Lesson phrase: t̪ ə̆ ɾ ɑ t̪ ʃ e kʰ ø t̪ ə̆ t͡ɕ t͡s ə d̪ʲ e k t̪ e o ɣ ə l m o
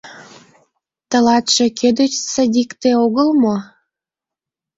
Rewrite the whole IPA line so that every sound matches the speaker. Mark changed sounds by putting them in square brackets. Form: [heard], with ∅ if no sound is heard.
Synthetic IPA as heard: t̪ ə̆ [l] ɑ t̪ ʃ e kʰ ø [d̪] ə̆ t͡ɕ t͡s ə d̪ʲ [i] k t̪ e o ɣ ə l m o

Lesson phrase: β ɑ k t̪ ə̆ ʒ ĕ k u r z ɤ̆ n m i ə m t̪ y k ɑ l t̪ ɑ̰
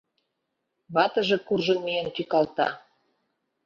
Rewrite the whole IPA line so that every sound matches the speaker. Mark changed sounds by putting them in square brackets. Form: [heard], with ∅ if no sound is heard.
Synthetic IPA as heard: β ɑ [∅] t̪ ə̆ ʒ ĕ k u r [ʒ] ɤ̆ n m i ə [n] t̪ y k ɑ l t̪ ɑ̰

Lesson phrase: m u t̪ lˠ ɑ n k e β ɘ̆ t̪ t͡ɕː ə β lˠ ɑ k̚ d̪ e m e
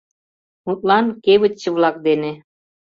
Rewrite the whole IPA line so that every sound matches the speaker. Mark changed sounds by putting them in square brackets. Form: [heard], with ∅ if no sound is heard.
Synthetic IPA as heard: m u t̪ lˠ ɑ n k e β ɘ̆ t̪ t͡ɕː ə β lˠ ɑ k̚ d̪ e [n] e

